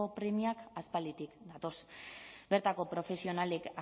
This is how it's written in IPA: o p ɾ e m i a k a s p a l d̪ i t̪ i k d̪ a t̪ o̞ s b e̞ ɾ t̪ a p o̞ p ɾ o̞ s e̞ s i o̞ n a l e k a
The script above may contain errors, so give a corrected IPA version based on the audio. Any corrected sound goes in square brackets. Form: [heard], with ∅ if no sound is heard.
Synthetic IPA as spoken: o p ɾ e m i a k a s p a l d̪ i t̪ i k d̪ a t̪ o̞ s b e̞ ɾ t̪ a [k] o̞ p ɾ o̞ [f] e̞ s i o̞ n a l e k a